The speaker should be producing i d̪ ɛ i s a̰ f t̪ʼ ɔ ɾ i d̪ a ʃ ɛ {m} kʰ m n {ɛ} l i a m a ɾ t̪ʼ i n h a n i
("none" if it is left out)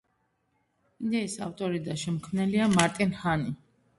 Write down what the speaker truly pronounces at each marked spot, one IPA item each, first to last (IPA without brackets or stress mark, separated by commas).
m, ɛ